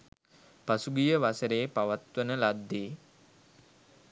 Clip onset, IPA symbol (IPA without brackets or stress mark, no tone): p